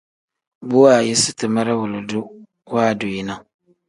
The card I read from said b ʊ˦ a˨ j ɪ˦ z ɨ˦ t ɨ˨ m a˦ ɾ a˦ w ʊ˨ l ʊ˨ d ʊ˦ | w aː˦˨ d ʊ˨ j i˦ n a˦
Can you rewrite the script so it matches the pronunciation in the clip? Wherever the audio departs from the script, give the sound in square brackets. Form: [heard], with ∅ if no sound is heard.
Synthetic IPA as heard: b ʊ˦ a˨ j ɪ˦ [s] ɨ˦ t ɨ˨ m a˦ ɾ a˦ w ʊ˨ l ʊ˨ d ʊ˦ | w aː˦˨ d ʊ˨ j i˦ n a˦